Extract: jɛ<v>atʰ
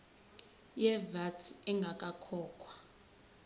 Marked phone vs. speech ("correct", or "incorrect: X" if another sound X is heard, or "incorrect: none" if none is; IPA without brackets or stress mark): correct